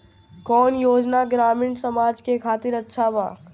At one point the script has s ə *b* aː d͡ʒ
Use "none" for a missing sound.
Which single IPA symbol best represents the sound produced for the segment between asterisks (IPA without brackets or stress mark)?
m